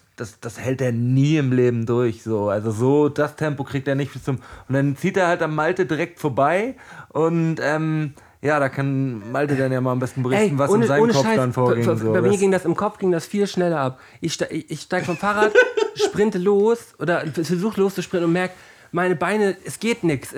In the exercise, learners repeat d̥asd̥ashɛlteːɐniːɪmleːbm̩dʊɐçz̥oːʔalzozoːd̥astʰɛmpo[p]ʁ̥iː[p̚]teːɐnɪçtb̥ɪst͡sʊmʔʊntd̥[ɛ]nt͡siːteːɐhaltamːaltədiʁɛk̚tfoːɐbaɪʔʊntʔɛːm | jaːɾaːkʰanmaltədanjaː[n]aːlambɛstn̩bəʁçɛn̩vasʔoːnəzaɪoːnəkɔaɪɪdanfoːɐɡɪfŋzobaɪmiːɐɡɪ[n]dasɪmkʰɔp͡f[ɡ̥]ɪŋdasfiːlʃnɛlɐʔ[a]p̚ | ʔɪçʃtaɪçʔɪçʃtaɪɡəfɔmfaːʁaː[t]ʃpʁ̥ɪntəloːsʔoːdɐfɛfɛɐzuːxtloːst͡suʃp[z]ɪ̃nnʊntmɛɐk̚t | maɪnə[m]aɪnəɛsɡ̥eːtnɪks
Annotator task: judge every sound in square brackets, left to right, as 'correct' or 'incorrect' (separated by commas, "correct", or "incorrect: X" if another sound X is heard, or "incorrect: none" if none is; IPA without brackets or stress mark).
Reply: incorrect: k, incorrect: k̚, incorrect: a, incorrect: m, incorrect: ŋ, correct, correct, correct, incorrect: ʁ, incorrect: b